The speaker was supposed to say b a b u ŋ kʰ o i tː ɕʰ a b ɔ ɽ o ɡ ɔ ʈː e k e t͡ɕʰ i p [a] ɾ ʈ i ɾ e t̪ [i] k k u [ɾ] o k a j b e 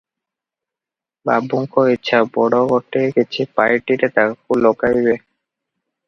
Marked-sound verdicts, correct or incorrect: correct, incorrect, incorrect

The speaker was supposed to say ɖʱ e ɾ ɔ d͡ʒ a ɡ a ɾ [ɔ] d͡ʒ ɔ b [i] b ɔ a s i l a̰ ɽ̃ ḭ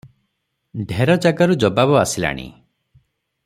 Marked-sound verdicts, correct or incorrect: incorrect, incorrect

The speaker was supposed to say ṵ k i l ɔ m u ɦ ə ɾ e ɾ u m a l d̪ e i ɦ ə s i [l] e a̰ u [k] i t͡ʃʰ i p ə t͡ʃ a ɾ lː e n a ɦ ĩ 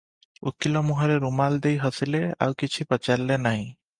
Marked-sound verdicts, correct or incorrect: correct, correct

